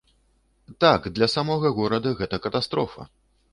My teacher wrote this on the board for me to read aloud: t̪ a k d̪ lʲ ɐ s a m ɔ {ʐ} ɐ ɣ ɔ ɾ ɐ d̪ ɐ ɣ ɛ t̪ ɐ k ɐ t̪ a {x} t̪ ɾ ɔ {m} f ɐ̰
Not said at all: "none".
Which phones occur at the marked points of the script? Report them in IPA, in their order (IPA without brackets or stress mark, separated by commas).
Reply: ɣ, s, none